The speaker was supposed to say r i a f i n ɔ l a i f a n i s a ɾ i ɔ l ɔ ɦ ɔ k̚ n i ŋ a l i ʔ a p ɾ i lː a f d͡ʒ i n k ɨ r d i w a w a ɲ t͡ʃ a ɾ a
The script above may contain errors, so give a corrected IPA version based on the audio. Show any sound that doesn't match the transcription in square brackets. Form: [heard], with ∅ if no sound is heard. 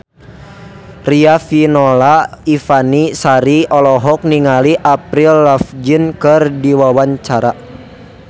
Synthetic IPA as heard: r i a f i n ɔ l a i f a n i s a ɾ i ɔ l ɔ ɦ ɔ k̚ n i ŋ a l i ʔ a p ɾ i lː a f d͡ʒ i n k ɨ r d i w a w a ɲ t͡ʃ a ɾ a